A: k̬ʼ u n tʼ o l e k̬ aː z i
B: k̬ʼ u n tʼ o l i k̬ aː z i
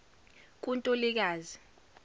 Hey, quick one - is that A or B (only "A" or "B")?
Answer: B